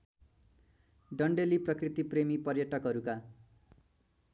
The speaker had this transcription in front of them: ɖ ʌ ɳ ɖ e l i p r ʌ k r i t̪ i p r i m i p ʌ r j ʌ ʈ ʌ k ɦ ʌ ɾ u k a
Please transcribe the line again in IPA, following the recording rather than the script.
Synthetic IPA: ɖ ʌ ɳ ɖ e l i p r ʌ k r i t̪ i p r e m i p ʌ r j ʌ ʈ ʌ k ɦ ʌ ɾ u k a